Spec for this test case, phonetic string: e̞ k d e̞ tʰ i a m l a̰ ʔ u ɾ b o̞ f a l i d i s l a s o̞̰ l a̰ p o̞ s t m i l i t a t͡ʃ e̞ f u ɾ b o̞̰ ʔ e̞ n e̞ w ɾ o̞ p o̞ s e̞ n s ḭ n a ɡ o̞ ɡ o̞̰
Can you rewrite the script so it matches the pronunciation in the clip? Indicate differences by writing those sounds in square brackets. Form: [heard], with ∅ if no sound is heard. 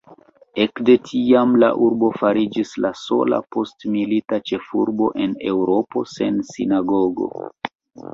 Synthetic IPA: e̞ k d e̞ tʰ i a m l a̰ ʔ u ɾ b o̞ f a [ɾ] i [d͡ʒ] i s l a s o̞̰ l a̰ p o̞ s t m i l i t a t͡ʃ e̞ f u ɾ b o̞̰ ʔ e̞ n e̞ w ɾ o̞ p o̞ s e̞ n s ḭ n a ɡ o̞ ɡ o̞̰